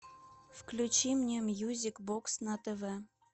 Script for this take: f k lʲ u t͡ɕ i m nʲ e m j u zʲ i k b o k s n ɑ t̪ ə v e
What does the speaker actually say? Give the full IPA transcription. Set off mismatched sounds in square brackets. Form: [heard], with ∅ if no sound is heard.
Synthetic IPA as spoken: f k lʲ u t͡ɕ i m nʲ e m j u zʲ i k b o k s n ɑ t̪ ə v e